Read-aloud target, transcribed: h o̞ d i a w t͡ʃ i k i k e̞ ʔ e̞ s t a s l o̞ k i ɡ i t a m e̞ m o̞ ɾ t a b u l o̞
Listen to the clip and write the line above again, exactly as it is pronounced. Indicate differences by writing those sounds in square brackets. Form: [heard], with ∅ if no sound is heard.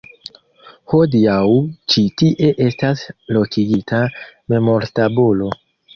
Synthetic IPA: h o̞ d i a w t͡ʃ i [t] i [ʔ] e̞ ʔ e̞ s t a s l o̞ k i ɡ i t a m e̞ m o̞ ɾ t a b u l o̞